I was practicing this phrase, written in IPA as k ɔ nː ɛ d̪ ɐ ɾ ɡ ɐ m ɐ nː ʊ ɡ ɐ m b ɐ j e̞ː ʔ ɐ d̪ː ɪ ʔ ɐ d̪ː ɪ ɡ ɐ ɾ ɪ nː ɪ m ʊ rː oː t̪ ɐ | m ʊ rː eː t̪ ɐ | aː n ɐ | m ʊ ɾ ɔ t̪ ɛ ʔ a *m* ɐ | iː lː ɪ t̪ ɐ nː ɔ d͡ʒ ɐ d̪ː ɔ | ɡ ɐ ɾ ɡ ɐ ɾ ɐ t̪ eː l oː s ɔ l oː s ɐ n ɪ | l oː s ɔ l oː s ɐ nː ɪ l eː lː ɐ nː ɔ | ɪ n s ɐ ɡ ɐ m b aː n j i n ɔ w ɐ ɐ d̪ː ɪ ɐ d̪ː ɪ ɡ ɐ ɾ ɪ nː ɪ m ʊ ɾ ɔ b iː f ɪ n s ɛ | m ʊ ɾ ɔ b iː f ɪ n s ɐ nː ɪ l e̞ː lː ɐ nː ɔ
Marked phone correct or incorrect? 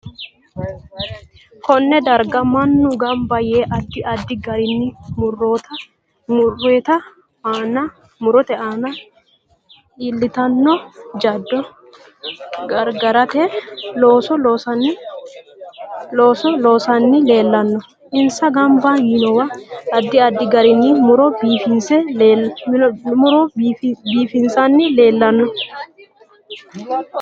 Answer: incorrect: n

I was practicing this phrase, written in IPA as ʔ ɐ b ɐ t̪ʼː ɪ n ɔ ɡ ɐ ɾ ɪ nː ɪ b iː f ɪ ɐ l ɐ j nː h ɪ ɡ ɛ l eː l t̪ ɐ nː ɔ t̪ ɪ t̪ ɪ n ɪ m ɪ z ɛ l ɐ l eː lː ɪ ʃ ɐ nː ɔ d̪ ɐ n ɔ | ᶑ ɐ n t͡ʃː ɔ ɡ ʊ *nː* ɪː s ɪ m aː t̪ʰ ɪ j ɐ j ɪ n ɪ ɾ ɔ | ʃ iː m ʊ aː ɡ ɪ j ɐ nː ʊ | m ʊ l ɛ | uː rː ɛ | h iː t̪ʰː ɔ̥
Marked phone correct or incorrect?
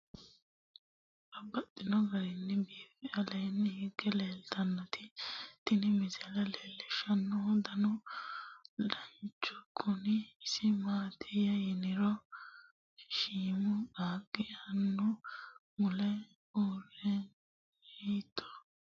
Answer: incorrect: n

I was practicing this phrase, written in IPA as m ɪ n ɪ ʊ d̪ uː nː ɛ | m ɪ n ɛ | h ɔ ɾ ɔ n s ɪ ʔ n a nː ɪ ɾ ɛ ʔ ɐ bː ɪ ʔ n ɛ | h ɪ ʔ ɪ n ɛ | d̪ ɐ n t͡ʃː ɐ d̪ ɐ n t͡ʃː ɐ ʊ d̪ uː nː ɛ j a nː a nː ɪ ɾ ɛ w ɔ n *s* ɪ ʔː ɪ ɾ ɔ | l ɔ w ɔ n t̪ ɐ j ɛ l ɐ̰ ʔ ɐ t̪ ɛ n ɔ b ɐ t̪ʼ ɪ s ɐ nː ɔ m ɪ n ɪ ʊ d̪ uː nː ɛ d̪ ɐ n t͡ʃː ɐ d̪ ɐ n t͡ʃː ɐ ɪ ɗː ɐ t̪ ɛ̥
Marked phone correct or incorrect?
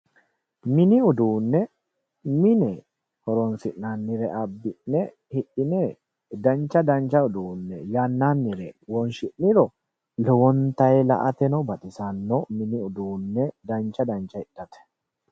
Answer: incorrect: ʃ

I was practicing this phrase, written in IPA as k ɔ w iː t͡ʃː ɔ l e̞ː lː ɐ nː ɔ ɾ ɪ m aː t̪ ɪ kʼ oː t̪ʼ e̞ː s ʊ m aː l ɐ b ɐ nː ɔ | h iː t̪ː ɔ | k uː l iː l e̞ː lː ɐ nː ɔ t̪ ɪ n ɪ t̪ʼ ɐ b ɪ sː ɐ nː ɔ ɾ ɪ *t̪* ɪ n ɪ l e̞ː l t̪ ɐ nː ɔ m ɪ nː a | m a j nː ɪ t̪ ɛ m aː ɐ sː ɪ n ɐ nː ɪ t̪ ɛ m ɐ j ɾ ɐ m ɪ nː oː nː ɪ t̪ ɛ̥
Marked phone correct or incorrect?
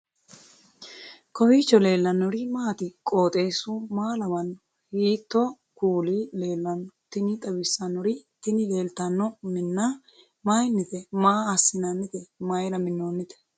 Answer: correct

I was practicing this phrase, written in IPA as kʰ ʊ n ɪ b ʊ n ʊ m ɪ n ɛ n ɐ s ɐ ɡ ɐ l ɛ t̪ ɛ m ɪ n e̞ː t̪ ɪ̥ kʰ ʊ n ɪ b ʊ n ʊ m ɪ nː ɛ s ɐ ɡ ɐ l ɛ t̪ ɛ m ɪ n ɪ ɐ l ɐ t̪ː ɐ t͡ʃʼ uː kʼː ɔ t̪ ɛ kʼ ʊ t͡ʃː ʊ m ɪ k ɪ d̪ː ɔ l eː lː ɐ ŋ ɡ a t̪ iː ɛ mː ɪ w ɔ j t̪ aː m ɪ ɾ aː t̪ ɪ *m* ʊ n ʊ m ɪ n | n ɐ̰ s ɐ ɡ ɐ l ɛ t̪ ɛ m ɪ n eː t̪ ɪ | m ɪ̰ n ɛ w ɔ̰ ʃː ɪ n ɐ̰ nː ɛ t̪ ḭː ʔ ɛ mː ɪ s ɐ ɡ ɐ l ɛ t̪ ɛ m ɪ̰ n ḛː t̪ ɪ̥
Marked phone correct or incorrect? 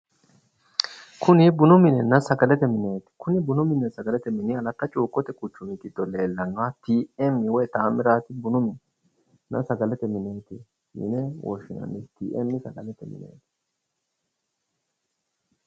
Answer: incorrect: b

